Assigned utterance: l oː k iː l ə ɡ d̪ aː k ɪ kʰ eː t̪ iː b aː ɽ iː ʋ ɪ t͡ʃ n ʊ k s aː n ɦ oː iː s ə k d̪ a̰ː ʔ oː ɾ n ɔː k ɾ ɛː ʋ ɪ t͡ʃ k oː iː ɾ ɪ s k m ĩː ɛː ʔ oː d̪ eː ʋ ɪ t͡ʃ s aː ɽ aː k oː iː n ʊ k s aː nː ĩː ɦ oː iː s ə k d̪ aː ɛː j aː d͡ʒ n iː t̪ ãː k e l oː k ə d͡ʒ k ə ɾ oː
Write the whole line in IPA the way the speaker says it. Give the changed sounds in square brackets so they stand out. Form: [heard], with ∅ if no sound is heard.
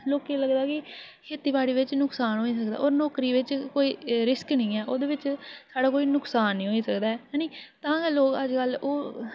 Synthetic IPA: l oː k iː l ə ɡ d̪ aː k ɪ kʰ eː t̪ iː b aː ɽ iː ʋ ɪ t͡ʃ n ʊ k s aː n ɦ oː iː s ə k d̪ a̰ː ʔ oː ɾ n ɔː k ɾ [iː] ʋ ɪ t͡ʃ k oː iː ɾ ɪ s k [n] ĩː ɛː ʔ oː d̪ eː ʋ ɪ t͡ʃ s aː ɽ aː k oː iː n ʊ k s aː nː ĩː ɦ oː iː s ə k d̪ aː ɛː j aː [∅] n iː t̪ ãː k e l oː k ə d͡ʒ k ə [l] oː